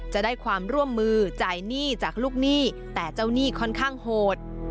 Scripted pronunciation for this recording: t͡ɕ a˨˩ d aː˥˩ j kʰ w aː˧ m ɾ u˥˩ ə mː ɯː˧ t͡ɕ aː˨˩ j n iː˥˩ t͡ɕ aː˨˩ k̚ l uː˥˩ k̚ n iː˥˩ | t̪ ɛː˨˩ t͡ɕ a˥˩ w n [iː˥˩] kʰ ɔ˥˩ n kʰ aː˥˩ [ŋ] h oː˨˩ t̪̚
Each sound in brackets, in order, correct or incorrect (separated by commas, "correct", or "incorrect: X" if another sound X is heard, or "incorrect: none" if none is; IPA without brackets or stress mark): correct, correct